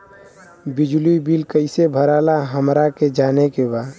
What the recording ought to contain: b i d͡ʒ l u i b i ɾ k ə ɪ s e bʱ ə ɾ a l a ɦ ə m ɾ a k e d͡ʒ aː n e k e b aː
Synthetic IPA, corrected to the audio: b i d͡ʒ l u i b i l k ə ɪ s e bʱ ə ɾ a l a ɦ ə m ɾ a k e d͡ʒ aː n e k e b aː